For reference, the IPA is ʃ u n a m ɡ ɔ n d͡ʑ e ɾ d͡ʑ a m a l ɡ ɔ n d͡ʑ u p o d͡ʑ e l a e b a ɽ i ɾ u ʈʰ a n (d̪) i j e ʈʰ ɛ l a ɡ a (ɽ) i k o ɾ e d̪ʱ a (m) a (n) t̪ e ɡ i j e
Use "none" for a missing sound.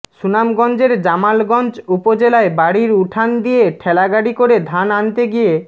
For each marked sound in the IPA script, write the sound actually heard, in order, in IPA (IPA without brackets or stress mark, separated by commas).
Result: d̪, ɽ, n, n